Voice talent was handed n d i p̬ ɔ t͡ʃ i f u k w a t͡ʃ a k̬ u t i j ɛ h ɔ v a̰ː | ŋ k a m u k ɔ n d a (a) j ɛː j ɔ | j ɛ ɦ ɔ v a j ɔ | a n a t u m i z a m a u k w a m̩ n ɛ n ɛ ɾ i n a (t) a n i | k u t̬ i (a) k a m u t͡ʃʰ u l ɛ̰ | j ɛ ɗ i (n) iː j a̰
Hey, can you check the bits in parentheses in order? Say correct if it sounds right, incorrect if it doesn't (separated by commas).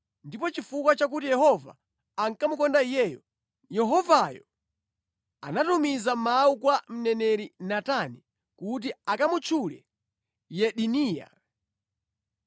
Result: incorrect, correct, correct, correct